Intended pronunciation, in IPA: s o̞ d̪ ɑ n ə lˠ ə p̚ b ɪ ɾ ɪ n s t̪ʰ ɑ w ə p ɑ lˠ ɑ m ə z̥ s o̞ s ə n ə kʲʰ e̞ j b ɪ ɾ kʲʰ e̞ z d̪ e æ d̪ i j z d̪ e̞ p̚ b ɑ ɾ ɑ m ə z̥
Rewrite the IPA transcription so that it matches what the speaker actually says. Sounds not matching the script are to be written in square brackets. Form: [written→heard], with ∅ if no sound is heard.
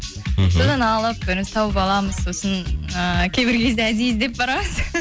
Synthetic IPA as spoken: s o̞ d̪ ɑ n [ə→ɑ] lˠ ə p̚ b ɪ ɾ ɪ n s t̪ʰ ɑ w ə p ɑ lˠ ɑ m ə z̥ s o̞ s ə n ə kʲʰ e̞ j b ɪ ɾ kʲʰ e̞ z d̪ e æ d̪ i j z d̪ e̞ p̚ b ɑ ɾ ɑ m ə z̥